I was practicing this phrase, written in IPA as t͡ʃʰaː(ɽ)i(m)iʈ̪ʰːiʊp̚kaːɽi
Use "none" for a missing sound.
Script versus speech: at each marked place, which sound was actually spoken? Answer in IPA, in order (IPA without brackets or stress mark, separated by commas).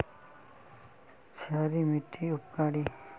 ɾ, m